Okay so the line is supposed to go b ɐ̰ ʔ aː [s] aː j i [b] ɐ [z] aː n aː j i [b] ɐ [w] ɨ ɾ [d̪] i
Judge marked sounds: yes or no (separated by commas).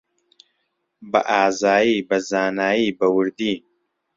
no, yes, yes, yes, yes, yes